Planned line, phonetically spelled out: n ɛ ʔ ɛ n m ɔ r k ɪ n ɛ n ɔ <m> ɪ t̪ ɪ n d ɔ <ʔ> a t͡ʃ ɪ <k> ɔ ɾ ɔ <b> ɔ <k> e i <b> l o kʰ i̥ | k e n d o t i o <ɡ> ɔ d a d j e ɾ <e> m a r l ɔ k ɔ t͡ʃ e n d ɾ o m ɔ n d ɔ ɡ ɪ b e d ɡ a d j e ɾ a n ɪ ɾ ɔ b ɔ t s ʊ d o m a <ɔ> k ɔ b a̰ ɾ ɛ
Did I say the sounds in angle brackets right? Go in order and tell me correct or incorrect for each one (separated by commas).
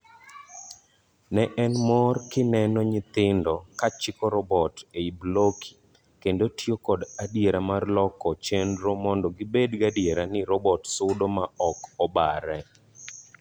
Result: incorrect, incorrect, correct, correct, incorrect, correct, incorrect, incorrect, correct